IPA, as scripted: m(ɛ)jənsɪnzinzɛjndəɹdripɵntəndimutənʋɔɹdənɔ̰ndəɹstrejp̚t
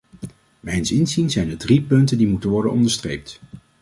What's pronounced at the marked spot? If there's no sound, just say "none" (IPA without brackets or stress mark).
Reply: ɛ